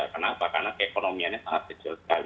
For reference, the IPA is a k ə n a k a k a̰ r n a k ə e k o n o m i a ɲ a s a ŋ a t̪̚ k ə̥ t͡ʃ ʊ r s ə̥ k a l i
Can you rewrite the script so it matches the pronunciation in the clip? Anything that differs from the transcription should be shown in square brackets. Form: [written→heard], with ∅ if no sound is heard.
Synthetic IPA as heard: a k ə n a [k→p] a k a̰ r n a k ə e k o n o m i a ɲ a s a ŋ a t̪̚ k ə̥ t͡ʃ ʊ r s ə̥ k a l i